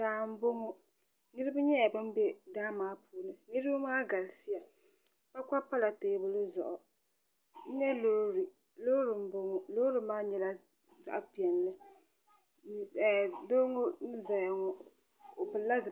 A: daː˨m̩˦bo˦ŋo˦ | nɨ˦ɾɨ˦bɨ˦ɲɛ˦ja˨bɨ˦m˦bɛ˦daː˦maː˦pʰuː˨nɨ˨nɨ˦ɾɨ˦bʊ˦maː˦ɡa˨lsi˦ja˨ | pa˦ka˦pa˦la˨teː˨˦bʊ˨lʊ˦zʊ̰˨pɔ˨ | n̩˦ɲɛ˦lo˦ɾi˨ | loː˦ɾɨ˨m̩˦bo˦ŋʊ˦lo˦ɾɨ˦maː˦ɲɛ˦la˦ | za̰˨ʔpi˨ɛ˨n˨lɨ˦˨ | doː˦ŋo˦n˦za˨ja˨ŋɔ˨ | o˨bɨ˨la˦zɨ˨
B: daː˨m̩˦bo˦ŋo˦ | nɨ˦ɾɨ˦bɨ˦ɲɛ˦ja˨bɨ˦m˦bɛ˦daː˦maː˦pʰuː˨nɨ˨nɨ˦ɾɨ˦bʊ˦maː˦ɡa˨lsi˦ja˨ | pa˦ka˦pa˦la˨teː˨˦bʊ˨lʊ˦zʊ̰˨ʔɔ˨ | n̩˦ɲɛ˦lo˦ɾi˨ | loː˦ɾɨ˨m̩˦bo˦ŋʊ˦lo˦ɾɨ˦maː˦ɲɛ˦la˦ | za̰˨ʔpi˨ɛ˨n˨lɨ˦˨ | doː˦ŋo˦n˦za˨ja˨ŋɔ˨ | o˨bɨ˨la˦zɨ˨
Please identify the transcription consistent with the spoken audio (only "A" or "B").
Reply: B